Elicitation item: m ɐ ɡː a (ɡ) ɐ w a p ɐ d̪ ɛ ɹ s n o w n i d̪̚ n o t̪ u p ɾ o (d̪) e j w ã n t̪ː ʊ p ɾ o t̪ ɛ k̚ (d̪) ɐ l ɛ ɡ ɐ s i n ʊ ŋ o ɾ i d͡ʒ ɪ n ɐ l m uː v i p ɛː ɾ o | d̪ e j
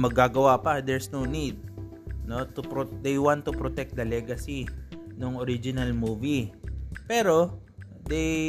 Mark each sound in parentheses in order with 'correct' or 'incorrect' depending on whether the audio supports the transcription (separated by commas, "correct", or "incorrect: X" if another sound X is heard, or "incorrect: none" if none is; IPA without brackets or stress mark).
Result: correct, correct, correct